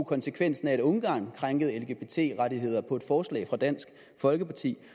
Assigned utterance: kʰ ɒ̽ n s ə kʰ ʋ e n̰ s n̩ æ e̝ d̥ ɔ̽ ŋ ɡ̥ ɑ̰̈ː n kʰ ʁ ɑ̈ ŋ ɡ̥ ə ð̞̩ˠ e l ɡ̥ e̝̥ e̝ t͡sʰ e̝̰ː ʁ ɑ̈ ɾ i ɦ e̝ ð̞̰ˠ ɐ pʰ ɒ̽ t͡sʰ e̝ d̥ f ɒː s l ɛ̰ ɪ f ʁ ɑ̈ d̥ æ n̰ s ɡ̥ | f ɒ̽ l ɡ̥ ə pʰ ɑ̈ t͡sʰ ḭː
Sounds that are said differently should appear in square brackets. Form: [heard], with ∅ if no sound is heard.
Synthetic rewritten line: kʰ ɒ̽ n s ə kʰ ʋ e n̰ s n̩ æ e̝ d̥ ɔ̽ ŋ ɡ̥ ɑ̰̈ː n kʰ ʁ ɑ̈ ŋ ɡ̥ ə ð̞̩ˠ e l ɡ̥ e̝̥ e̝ t͡sʰ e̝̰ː ʁ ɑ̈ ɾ i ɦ e̝ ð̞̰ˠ ɐ pʰ ɒ̽ [∅] e̝ d̥ f ɒː s l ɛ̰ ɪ f ʁ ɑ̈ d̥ æ n̰ s ɡ̥ | f ɒ̽ l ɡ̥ ə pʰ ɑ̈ t͡sʰ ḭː